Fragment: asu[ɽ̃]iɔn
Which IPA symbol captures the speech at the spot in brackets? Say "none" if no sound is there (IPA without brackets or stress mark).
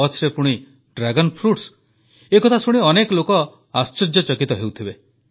ɽ̃